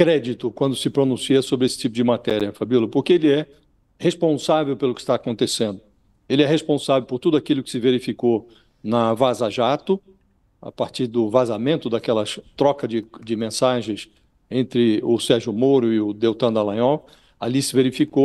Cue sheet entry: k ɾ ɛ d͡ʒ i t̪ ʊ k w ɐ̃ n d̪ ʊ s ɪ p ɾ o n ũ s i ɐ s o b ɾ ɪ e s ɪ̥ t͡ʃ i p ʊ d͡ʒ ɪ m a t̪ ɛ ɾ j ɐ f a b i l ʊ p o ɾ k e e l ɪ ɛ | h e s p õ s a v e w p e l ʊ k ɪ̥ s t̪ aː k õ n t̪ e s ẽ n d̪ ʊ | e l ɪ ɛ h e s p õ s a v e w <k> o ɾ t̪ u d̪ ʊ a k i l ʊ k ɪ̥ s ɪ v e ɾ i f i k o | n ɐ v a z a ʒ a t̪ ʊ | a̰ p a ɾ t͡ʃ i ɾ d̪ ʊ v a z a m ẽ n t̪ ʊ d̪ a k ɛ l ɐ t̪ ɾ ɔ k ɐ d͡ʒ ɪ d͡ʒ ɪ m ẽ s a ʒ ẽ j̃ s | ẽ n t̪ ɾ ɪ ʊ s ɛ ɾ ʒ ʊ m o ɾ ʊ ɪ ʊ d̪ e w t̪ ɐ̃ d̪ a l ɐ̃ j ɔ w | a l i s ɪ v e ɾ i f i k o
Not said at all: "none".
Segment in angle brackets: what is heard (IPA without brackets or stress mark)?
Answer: p